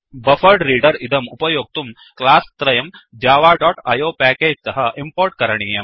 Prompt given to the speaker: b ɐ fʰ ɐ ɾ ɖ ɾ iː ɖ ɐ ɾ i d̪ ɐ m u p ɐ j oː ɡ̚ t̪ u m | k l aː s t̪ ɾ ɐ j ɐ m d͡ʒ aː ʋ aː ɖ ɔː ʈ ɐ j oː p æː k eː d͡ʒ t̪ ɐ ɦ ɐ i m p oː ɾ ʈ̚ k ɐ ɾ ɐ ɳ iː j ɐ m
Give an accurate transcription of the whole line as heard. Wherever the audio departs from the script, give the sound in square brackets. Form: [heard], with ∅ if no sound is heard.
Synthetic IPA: b ɐ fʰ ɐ ɾ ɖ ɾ iː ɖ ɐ ɾ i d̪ ɐ m u p ɐ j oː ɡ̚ t̪ u m | k l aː s t̪ ɾ ɐ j ɐ m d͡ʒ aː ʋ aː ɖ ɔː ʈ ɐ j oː p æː k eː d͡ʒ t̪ ɐ ɦ ɐ i m p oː ɾ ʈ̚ k ɐ ɾ ɐ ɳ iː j ɐ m